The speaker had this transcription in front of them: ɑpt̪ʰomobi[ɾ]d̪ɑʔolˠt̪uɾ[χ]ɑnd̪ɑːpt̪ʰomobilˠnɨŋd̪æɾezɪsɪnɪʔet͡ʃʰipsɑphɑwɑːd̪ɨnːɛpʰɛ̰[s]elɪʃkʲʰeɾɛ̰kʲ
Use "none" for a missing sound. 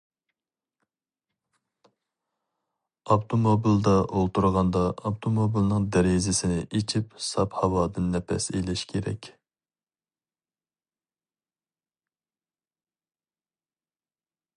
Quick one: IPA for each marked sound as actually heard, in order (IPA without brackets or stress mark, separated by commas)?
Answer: l, ʁ, s